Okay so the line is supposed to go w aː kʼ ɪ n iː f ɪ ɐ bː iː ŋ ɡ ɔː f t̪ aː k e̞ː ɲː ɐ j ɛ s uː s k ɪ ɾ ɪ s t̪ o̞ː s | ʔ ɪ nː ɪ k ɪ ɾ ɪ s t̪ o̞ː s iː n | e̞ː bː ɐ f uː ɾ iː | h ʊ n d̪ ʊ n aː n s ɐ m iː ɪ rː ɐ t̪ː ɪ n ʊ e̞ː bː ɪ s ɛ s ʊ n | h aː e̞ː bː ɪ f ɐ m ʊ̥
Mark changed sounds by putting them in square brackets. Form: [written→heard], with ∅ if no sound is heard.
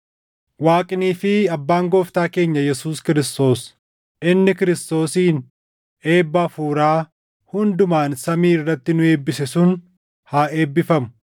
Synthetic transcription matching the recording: w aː kʼ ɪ n iː f ɪ ɐ bː [iː→aː] ŋ ɡ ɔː f t̪ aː k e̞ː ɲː ɐ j ɛ s uː s k ɪ ɾ ɪ s t̪ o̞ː s | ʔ ɪ nː ɪ k ɪ ɾ ɪ s t̪ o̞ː s iː n | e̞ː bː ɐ f uː ɾ [iː→aː] | h ʊ n d̪ ʊ [n→m] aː n s ɐ m iː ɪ rː ɐ t̪ː ɪ n ʊ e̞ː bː ɪ s ɛ s ʊ n | h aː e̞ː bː ɪ f ɐ m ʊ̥